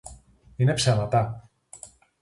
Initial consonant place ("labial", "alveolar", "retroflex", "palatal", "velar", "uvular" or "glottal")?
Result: alveolar